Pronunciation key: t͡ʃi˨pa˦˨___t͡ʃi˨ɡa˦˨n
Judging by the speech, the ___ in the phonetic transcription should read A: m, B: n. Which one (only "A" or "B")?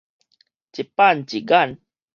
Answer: B